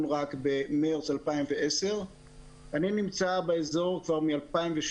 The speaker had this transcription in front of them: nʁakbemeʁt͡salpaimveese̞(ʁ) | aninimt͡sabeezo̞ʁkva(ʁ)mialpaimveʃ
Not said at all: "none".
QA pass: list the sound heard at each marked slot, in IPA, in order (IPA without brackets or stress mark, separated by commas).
ʁ, ʁ